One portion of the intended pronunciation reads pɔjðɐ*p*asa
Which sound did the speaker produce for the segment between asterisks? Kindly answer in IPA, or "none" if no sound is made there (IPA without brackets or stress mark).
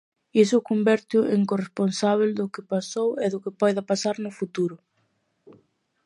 p